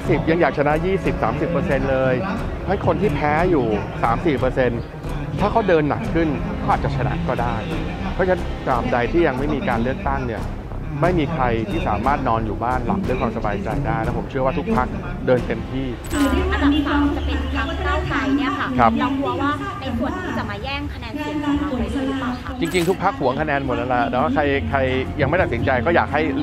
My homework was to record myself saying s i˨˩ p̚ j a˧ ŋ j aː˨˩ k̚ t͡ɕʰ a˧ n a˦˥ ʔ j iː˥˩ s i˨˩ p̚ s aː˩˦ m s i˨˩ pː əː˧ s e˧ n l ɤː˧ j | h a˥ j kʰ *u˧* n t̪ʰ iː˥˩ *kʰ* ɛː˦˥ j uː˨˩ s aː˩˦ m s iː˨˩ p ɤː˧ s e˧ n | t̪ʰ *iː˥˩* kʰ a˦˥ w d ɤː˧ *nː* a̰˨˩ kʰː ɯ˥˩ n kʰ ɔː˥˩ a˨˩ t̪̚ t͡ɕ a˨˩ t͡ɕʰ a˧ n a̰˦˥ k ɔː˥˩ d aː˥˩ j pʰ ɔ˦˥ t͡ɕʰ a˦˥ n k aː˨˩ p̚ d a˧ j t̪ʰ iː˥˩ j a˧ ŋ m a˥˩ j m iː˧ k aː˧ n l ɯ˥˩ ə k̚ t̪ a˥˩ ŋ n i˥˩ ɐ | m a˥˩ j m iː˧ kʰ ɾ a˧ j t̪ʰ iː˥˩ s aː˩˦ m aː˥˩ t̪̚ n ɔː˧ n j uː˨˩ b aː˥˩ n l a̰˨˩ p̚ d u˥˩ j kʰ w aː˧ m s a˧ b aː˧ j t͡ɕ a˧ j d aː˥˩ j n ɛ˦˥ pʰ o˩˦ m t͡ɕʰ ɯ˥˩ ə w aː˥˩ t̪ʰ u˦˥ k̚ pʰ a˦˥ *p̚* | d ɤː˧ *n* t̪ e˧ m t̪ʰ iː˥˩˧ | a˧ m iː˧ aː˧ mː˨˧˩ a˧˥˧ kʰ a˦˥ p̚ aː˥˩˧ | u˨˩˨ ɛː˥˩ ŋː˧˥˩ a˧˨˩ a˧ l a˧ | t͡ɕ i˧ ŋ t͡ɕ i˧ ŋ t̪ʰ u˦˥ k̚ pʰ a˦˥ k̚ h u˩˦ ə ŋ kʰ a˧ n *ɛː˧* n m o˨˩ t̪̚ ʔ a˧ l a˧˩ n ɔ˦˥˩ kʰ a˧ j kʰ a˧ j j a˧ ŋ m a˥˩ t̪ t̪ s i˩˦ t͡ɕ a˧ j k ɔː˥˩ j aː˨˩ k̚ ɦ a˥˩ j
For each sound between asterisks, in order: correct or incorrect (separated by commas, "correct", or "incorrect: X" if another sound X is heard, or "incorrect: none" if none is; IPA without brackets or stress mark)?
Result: incorrect: o˧, incorrect: pʰ, incorrect: aː˥˩, correct, incorrect: k̚, correct, correct